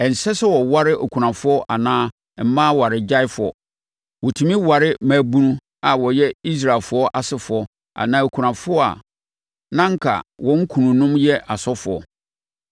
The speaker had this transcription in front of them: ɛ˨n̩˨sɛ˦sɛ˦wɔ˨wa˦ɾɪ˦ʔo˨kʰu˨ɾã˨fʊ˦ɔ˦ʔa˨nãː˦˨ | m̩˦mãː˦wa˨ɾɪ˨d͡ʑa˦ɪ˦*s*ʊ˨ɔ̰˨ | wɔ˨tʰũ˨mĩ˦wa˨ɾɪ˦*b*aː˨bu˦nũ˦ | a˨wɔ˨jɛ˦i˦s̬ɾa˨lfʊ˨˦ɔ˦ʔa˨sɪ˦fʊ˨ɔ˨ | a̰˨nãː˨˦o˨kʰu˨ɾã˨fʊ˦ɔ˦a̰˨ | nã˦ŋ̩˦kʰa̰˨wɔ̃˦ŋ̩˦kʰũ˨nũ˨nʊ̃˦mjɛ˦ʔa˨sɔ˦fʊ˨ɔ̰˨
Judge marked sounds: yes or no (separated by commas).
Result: no, no